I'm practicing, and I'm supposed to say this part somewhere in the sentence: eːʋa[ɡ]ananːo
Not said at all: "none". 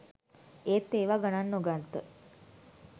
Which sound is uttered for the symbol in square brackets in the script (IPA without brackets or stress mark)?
ɡ